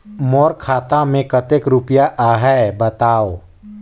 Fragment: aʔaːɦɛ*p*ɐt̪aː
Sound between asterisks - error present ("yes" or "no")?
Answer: yes